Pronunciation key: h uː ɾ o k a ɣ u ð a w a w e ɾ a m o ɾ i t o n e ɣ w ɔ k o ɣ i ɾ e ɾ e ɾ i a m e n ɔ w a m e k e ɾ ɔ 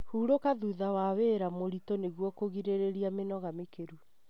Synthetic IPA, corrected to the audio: h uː ɾ o k a ð u ð a w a w e ɾ a m o ɾ i t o n e ɣ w ɔ k o ɣ i ɾ e ɾ e ɾ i a m e n ɔ ɣ a m e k e ɾ u